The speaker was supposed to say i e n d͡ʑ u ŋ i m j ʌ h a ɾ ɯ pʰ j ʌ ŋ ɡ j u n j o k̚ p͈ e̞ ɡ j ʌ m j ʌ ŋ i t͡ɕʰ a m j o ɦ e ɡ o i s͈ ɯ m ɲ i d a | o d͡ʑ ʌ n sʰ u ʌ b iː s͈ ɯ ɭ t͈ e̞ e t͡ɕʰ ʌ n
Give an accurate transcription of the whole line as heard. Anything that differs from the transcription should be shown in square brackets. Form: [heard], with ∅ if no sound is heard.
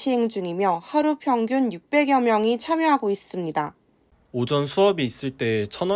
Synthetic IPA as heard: i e [ŋ] d͡ʑ u ŋ i m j ʌ h a ɾ [u] pʰ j ʌ ŋ ɡ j u n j [u] k̚ p͈ e̞ ɡ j ʌ m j ʌ ŋ i t͡ɕʰ a m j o ɦ [a] ɡ o i s͈ ɯ m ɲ i d a | o d͡ʑ ʌ n sʰ u ʌ b iː s͈ ɯ ɭ t͈ e̞ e t͡ɕʰ ʌ n